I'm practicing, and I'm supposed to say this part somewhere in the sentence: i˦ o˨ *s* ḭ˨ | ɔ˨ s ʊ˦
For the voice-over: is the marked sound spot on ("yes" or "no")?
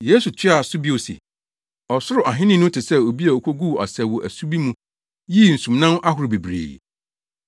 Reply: yes